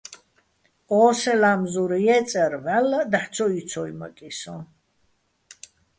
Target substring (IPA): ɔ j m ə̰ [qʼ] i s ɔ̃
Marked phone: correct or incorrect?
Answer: incorrect